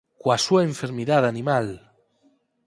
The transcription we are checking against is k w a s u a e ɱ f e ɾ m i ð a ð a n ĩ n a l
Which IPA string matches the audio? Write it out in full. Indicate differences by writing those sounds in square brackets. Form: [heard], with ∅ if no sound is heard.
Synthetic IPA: k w a s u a e ɱ f e ɾ m i ð a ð a n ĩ [m] a l